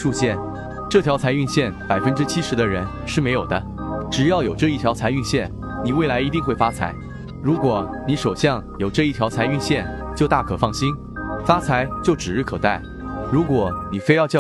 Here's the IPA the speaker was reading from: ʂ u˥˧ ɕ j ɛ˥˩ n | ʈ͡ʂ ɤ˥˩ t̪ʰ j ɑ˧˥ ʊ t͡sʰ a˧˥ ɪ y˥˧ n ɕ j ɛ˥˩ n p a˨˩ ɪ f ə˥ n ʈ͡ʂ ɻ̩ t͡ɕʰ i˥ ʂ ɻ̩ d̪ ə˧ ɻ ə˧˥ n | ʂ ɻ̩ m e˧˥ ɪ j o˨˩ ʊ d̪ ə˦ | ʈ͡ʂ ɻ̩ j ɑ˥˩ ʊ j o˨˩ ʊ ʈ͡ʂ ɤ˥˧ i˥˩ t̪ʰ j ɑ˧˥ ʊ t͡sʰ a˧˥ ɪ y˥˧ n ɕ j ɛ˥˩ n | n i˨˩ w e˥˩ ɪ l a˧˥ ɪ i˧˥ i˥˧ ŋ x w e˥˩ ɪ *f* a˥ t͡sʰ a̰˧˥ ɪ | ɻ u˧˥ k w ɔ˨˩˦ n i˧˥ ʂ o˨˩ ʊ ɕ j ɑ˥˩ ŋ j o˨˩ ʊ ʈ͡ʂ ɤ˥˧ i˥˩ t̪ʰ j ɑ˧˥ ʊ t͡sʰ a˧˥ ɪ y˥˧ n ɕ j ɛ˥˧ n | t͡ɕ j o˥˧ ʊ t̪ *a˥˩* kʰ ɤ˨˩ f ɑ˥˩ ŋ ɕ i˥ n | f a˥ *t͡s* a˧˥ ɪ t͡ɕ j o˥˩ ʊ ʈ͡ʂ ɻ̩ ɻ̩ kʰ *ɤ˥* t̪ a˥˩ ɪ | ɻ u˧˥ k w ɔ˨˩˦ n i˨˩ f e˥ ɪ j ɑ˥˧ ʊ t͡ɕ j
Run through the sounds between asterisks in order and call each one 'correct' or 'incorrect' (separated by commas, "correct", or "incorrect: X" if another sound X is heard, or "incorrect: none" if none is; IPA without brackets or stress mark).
correct, correct, incorrect: t͡sʰ, incorrect: ɤ˨˩